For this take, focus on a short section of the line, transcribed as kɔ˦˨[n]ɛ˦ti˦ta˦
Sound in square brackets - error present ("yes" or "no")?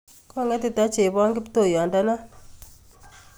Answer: yes